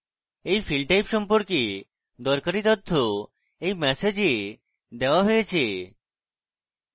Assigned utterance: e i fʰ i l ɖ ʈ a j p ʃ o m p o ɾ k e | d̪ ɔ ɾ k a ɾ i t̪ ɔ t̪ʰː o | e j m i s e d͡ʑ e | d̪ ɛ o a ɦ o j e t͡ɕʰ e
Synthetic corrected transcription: e j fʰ i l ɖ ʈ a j p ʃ ɔ m p o ɾ k e | d̪ ɔ ɾ k a ɾ i t̪ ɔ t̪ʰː o | e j m ɛ s e d͡ʑ e | d̪ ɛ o a ɦ o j e t͡ɕʰ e